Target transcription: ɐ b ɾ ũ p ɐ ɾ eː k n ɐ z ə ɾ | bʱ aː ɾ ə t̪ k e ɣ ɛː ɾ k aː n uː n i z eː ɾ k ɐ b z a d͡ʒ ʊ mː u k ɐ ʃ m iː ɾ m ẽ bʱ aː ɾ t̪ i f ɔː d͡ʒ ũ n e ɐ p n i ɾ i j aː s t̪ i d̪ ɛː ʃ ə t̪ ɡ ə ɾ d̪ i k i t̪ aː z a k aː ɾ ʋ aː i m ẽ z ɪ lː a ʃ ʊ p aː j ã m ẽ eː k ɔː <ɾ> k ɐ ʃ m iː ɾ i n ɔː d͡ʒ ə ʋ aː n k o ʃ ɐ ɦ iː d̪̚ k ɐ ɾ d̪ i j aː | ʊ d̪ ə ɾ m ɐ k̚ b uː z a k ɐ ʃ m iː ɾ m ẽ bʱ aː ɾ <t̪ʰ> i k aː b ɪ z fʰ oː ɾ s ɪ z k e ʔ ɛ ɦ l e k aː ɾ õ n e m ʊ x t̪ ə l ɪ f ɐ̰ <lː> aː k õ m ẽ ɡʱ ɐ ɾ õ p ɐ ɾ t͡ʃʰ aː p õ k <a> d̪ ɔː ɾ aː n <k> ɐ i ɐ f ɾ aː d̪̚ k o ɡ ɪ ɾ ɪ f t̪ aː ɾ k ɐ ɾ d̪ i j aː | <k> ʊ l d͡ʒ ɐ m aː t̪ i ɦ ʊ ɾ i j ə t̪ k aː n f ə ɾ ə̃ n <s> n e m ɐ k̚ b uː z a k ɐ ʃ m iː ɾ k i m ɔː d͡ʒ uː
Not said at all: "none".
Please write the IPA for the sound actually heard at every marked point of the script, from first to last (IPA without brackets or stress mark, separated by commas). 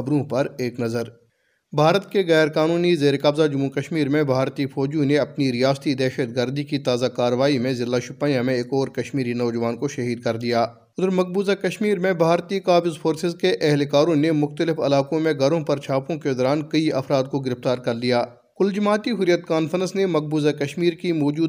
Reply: ɾ, t̪, l, e, k, k, s